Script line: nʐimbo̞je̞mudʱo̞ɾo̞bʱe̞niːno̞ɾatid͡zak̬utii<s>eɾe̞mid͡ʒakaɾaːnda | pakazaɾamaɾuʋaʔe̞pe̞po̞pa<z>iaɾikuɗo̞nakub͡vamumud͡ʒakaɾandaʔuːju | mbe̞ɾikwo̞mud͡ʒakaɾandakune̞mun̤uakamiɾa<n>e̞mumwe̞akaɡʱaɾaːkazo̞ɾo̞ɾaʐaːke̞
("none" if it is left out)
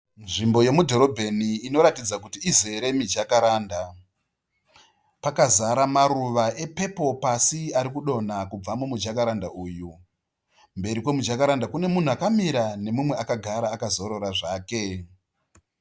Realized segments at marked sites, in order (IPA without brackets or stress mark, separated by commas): z, s, n